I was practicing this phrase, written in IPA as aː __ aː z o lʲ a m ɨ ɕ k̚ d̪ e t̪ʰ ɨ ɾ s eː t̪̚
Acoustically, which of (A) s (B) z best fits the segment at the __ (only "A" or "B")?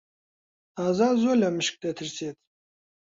B